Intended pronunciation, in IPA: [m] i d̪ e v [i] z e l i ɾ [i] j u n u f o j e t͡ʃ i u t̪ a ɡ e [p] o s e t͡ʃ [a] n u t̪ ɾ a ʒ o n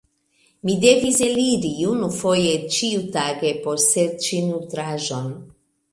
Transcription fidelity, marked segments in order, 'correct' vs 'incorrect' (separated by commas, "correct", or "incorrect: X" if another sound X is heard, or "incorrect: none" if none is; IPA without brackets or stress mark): correct, correct, correct, correct, incorrect: i